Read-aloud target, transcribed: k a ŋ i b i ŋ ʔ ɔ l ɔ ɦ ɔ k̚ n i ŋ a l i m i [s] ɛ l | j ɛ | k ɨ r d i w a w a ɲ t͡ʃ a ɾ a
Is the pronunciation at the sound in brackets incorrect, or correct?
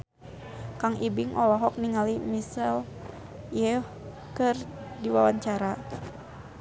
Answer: correct